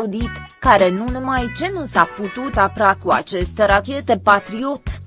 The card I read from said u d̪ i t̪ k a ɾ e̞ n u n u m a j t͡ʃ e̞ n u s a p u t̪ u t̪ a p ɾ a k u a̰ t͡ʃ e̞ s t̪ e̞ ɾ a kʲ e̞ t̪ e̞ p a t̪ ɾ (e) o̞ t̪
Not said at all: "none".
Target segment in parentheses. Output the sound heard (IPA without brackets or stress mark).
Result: i